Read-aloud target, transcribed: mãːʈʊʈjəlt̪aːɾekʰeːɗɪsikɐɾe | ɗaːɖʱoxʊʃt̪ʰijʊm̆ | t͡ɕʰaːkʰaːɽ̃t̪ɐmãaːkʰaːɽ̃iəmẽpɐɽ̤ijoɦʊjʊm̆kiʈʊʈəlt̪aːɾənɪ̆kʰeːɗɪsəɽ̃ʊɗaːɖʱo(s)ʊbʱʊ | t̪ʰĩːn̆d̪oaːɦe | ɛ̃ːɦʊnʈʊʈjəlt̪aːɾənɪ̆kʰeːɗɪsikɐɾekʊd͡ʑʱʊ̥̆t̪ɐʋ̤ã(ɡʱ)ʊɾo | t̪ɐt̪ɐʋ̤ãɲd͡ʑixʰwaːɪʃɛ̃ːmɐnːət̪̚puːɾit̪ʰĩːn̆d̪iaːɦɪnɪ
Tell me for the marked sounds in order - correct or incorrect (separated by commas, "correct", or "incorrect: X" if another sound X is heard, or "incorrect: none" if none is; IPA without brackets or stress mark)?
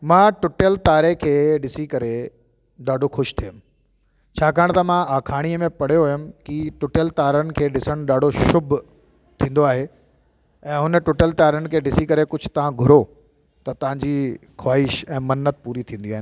incorrect: ʃ, correct